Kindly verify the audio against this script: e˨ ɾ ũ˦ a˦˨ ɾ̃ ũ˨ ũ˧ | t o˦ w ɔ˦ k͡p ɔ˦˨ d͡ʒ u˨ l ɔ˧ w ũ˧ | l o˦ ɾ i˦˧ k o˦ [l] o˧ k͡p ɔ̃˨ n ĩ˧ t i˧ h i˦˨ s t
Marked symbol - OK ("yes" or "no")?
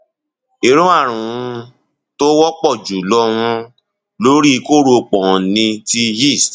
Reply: no